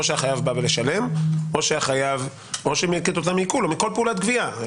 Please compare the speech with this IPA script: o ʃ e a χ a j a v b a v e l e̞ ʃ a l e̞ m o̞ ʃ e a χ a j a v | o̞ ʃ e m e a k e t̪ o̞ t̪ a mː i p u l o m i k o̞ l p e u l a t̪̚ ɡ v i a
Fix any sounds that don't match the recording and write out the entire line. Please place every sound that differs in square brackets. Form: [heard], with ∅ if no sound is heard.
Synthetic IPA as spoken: o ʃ e a χ a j a v b a v e l e̞ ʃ a l e̞ m o̞ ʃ e a χ a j a v | o̞ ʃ e m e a k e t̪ o̞ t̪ a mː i [k] u l o m i k o̞ l p e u l a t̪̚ ɡ v i a